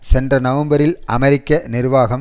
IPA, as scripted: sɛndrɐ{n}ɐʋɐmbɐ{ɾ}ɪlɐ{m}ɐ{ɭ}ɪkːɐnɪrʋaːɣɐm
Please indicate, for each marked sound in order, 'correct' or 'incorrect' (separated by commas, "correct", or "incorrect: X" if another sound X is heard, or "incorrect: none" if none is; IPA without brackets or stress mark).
correct, correct, correct, incorrect: ɾ